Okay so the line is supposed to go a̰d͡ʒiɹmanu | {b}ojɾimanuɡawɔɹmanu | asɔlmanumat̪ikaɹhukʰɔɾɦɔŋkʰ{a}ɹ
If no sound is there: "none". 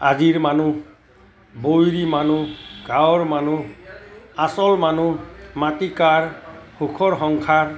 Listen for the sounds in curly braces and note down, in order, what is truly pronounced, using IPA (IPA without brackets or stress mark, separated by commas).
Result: b, a